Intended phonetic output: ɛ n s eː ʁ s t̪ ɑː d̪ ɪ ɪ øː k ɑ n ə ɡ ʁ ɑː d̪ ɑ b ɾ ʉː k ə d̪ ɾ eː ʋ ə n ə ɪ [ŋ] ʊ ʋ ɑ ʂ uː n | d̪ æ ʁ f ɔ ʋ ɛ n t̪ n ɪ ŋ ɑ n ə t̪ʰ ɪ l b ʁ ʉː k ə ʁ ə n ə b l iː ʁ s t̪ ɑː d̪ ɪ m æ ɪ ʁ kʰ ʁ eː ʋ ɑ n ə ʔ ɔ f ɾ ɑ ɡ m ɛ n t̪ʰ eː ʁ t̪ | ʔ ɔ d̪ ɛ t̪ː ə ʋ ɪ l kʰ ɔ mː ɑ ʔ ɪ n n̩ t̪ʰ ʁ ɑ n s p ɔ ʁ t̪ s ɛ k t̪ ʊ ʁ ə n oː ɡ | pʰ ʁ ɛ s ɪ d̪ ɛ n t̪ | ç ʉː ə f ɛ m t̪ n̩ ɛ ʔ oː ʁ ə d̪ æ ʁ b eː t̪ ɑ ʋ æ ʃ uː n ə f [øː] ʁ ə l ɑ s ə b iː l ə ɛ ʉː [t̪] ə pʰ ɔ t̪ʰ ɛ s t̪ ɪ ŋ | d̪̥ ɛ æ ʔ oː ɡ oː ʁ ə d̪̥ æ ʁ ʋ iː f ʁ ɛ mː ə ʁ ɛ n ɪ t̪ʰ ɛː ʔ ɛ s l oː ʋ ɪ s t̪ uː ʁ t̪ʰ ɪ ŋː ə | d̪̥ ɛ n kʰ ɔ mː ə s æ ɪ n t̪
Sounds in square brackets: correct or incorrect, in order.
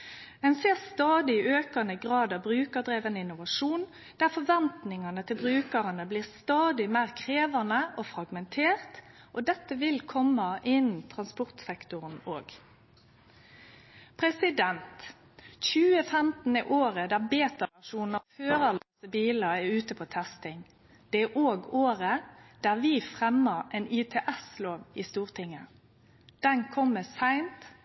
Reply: incorrect: n, correct, correct

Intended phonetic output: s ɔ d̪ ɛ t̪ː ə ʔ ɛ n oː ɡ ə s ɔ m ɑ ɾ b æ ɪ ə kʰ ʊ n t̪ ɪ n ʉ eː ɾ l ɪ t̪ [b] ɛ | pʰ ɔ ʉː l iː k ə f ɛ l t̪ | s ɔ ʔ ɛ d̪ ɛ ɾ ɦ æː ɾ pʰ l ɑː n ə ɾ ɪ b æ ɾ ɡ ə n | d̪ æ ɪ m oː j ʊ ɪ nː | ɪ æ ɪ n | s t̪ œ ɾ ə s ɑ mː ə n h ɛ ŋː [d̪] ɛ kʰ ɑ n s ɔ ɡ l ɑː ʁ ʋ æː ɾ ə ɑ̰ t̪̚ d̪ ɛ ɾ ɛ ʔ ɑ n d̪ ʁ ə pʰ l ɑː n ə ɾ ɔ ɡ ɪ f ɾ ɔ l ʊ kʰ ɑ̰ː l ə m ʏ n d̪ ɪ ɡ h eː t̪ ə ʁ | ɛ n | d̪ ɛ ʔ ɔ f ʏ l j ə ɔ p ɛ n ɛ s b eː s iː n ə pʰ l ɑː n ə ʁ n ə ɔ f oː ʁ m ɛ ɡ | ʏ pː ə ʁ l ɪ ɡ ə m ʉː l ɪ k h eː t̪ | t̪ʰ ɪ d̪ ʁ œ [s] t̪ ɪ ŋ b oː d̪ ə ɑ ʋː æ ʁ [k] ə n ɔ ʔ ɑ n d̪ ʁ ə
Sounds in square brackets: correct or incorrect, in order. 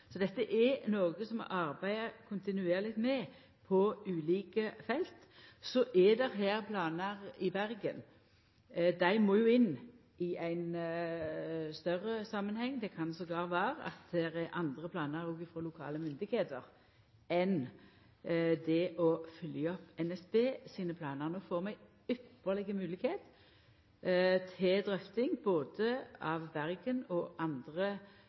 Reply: incorrect: m, correct, incorrect: f, incorrect: ɡ

